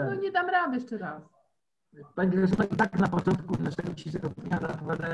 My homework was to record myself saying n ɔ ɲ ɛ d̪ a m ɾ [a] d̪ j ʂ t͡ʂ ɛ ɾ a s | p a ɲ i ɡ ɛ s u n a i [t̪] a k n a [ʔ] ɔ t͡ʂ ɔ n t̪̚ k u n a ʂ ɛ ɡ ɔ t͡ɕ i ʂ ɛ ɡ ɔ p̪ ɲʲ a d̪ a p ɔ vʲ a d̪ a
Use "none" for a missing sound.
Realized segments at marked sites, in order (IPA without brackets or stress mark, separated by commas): a, t̪, p